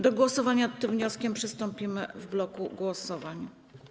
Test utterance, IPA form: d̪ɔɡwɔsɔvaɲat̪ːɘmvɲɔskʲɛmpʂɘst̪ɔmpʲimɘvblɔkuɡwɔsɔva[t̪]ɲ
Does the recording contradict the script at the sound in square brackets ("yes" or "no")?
yes